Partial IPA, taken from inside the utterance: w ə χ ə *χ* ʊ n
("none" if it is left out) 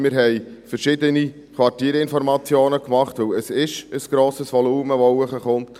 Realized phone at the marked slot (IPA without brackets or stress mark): χ